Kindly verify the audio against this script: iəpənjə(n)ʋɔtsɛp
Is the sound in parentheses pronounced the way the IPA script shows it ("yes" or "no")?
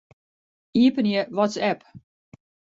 no